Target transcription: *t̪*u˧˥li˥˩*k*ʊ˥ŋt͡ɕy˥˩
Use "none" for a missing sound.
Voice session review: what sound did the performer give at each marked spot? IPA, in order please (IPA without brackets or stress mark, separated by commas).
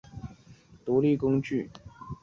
t̪, k